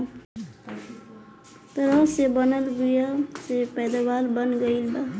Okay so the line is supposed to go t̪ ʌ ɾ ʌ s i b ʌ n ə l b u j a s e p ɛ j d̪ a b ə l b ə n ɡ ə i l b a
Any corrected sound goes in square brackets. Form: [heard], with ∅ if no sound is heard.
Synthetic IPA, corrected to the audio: t̪ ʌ ɾ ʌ s [e] b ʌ n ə l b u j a s e p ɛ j d̪ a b [a] l b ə n ɡ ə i l b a